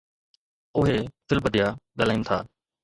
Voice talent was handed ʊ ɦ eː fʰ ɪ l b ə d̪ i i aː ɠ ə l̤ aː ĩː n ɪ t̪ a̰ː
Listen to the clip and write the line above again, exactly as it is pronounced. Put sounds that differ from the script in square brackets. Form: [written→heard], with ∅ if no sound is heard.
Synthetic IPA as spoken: ʊ ɦ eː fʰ ɪ l b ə d̪ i [i→j] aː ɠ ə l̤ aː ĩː n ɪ [t̪→t̪ʰ] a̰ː